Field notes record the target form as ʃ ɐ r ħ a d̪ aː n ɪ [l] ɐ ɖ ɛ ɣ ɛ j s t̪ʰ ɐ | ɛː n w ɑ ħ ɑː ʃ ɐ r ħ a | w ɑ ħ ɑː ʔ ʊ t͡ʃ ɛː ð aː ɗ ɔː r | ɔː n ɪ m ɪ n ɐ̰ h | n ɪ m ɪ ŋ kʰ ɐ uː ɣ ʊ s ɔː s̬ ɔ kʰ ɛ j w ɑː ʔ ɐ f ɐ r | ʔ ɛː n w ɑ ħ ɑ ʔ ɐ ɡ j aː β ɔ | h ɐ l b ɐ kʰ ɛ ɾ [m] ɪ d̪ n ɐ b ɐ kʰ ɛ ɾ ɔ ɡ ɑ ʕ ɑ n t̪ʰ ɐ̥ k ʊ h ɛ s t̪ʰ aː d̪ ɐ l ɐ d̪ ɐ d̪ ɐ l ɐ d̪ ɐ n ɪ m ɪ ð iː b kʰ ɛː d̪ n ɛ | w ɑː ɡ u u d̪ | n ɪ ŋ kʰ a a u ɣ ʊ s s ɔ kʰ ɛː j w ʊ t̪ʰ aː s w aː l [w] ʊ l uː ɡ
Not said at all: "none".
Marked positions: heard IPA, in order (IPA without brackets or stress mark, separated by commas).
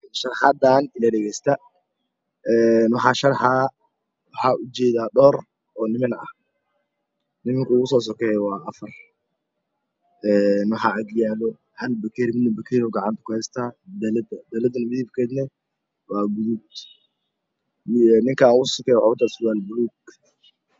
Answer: l, m, b